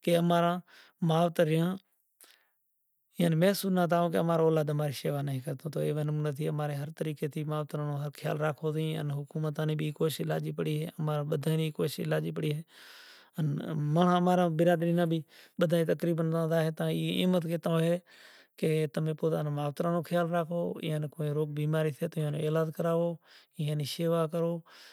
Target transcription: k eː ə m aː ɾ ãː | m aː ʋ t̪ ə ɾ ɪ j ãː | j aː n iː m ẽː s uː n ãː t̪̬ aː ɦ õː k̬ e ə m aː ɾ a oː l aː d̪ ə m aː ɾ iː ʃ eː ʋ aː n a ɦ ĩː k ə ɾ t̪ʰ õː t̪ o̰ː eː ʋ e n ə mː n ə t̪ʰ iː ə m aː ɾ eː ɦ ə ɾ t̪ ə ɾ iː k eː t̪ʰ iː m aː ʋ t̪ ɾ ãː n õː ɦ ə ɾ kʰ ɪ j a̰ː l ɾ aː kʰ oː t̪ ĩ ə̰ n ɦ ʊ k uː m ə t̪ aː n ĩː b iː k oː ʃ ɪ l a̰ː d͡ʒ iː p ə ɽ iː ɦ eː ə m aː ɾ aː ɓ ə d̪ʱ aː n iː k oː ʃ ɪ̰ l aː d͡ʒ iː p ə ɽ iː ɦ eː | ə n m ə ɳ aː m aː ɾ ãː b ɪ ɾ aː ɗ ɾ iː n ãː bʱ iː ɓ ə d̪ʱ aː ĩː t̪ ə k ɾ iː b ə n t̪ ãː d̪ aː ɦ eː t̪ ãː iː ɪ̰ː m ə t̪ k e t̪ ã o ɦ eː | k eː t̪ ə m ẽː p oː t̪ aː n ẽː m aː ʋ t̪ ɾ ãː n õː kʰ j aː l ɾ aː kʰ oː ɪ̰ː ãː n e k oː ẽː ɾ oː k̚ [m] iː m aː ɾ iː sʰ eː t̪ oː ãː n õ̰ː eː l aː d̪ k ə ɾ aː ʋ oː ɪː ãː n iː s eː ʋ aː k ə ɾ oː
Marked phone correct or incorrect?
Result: incorrect